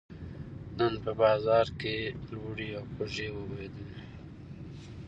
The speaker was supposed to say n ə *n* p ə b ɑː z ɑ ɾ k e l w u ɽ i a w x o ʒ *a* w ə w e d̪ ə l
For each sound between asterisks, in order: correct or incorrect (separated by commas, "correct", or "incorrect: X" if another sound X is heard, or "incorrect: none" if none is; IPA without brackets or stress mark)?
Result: correct, incorrect: e